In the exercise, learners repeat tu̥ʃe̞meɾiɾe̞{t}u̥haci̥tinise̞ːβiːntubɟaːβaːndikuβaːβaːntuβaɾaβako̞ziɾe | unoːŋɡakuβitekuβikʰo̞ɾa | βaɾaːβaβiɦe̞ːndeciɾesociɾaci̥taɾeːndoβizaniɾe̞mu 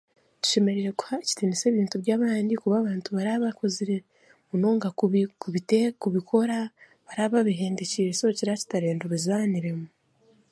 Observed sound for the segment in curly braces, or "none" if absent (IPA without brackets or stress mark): k